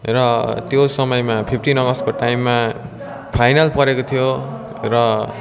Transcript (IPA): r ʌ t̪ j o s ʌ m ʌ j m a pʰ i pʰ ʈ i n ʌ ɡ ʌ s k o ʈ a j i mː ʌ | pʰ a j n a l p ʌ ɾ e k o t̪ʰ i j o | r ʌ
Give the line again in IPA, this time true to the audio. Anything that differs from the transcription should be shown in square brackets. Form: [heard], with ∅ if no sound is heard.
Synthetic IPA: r ʌ t̪ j o s ʌ m ʌ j m a pʰ i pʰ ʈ i n ʌ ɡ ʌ s k o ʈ a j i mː [a] | pʰ a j n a l p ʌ ɾ e k o t̪ʰ i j o | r ʌ